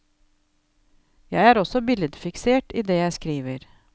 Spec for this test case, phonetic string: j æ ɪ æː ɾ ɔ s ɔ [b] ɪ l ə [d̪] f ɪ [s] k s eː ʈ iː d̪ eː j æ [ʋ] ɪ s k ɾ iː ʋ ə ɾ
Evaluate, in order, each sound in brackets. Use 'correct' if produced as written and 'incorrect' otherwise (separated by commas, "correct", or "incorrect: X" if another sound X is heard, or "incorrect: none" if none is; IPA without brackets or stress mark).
correct, correct, incorrect: none, incorrect: none